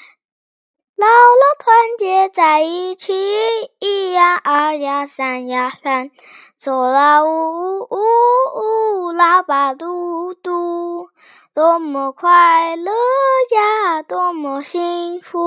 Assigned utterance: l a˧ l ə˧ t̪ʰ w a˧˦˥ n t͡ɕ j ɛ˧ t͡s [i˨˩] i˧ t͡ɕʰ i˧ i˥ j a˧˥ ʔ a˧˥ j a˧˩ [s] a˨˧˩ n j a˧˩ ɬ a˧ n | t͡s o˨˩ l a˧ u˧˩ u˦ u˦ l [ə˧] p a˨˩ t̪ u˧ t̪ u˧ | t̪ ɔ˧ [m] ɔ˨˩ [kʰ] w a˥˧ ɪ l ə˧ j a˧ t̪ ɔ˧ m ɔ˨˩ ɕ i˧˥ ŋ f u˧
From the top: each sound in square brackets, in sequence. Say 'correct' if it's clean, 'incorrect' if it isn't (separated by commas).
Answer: incorrect, correct, incorrect, correct, correct